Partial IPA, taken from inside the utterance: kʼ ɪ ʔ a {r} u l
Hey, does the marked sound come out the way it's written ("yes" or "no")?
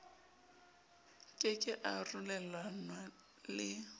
yes